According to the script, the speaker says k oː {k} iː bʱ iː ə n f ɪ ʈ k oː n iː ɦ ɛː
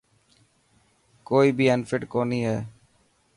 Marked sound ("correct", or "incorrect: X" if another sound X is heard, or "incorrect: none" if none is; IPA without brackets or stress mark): incorrect: none